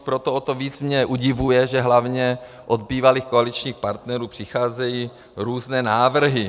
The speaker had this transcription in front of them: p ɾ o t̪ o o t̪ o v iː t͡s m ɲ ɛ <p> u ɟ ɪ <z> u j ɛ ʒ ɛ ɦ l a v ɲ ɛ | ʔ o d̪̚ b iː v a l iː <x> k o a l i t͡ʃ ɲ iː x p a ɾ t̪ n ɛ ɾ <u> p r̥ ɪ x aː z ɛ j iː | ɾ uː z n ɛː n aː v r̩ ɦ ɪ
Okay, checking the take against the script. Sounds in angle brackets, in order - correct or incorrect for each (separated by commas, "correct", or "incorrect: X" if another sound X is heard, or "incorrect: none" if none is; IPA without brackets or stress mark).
incorrect: ʔ, incorrect: v, correct, incorrect: uː